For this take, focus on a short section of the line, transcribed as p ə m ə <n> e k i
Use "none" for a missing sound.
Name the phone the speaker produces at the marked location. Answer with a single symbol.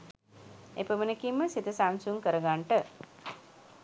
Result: n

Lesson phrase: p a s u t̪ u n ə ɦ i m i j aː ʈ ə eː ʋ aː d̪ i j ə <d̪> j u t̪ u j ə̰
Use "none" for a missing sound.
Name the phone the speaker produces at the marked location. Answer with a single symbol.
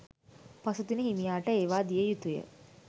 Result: none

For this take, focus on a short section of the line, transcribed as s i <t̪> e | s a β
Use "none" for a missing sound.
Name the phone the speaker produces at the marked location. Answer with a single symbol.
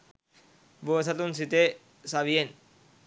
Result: t̪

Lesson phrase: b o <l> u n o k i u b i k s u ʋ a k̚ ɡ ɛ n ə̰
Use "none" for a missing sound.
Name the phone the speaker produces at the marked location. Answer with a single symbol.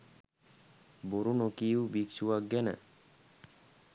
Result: ɾ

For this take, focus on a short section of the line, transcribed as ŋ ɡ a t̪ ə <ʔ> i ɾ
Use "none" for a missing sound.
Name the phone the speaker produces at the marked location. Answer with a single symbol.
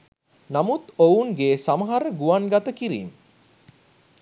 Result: k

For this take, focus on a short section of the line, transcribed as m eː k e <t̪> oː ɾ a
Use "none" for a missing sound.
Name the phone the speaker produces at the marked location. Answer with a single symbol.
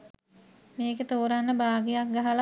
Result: t̪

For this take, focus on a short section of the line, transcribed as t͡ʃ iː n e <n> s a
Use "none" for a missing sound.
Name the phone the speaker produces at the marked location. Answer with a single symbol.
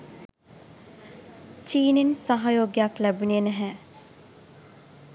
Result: n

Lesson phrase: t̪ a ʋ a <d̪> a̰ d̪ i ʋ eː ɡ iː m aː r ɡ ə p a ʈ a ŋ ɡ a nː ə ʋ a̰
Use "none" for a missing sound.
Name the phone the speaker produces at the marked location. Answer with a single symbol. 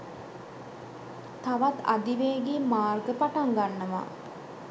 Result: t̪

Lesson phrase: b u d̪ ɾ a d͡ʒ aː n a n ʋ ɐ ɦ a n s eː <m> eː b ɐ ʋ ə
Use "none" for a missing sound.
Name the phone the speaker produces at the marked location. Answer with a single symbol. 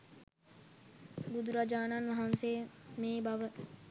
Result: m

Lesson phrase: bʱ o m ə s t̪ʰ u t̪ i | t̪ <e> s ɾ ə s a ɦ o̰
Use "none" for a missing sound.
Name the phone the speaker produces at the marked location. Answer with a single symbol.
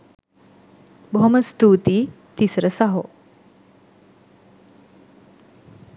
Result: i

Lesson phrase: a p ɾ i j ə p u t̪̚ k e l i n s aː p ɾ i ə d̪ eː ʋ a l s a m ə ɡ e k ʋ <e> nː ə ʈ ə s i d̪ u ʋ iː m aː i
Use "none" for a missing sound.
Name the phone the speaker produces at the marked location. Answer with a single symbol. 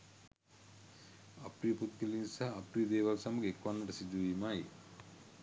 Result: a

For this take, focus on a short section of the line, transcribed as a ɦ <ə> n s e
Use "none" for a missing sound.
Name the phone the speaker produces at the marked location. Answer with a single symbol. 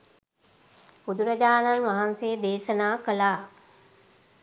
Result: a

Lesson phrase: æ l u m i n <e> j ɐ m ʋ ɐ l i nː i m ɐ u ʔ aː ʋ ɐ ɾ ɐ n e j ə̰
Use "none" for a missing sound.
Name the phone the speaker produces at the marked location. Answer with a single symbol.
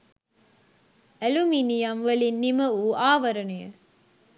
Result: i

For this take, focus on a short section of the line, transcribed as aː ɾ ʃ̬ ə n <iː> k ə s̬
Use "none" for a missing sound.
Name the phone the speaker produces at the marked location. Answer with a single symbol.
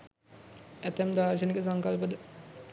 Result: i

